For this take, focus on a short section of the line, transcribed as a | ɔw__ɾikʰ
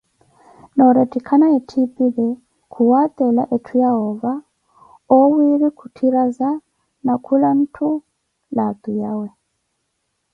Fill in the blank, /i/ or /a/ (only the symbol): i